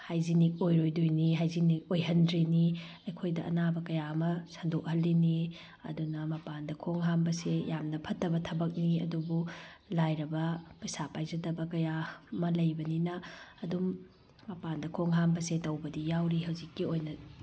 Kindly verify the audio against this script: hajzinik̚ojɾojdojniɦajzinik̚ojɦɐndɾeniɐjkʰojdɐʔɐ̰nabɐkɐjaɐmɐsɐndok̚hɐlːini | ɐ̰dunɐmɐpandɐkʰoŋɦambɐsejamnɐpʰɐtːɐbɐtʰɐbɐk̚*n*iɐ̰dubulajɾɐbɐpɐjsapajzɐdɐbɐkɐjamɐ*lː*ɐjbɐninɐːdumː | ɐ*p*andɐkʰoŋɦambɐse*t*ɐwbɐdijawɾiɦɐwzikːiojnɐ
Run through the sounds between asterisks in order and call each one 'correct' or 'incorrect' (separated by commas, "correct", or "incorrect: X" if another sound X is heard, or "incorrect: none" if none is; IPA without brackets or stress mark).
correct, incorrect: l, correct, correct